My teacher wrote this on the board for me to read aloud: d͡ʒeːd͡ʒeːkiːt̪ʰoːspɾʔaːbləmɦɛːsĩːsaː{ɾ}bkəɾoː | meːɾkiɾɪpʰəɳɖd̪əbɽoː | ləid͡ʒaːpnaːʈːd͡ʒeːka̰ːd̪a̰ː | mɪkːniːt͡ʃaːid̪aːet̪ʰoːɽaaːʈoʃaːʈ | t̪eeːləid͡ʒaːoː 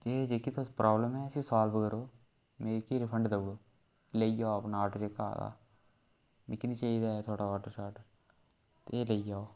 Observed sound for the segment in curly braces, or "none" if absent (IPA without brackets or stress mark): l